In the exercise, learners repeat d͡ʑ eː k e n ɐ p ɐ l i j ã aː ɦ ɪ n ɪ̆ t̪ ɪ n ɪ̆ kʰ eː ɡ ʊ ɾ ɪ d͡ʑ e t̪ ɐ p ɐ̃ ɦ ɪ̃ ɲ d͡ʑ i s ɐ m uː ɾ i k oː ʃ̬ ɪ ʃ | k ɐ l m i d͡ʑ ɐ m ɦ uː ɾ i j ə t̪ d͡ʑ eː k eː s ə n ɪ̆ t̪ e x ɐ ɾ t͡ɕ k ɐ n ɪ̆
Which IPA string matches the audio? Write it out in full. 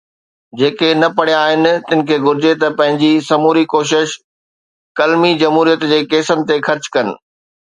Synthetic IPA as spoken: d͡ʑ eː k e n ɐ p ɐ ɽ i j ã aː ɦ ɪ n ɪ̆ t̪ ɪ n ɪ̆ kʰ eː ɡ ʊ ɾ ɪ d͡ʑ e t̪ ɐ p ɐ̃ ɦ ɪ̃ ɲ d͡ʑ i s ɐ m uː ɾ i k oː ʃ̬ ɪ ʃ | k ɐ l m i d͡ʑ ɐ m ɦ uː ɾ i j ə t̪ d͡ʑ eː k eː s ə n ɪ̆ t̪ e x ɐ ɾ t͡ɕ k ɐ n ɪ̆